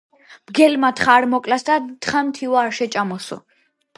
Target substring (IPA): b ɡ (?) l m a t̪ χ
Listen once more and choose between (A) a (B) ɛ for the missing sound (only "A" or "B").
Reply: B